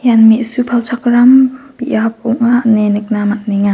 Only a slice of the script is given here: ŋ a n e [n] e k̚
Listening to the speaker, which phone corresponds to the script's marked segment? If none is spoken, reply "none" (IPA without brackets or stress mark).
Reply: n